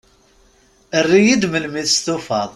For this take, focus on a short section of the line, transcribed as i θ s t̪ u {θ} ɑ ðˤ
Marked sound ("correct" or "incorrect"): incorrect